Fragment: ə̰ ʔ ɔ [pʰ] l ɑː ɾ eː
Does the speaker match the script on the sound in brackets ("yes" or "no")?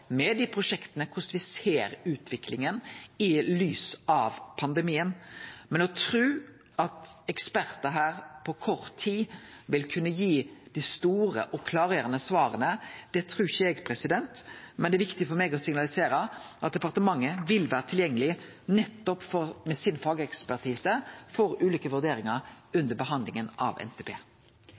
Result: no